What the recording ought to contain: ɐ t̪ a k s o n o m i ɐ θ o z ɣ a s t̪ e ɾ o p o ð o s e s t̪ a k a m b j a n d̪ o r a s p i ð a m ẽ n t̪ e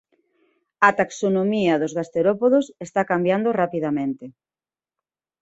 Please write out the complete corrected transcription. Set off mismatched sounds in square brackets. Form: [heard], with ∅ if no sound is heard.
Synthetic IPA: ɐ t̪ a k s o n o m i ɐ [ð] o z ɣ a s t̪ e ɾ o p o ð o s e s t̪ a k a m b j a n d̪ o r a [∅] p i ð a m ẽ n t̪ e